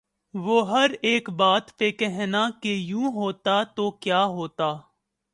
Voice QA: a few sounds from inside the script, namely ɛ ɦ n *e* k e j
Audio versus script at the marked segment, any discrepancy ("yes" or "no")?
yes